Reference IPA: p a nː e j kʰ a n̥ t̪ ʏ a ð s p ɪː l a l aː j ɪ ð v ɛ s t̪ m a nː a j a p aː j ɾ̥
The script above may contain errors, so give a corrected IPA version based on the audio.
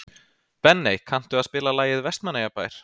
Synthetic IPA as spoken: p ɛ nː e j kʰ a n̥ t̪ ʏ a ð s p ɪː l a l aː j ɪ ð v ɛ s t̪ m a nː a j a p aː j ɾ̥